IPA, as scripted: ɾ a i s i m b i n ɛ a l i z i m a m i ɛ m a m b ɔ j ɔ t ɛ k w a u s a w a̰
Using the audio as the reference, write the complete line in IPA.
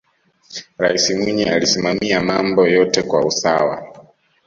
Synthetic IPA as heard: ɾ a i s i m w i ɲ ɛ a l i s i m a m i a m a m b ɔ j ɔ t ɛ k w a u s a w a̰